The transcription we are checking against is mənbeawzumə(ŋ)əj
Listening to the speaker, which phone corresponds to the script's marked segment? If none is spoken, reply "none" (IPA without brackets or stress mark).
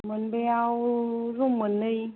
n